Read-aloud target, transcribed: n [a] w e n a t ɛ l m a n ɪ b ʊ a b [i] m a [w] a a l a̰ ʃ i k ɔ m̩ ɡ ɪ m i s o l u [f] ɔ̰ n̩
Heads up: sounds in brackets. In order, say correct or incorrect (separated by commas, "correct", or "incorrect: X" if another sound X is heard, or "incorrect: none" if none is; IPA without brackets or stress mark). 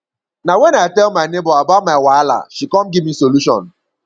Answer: correct, incorrect: a, correct, incorrect: ʃ